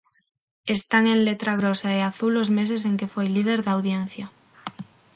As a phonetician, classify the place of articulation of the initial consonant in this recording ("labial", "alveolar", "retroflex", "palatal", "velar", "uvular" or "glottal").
alveolar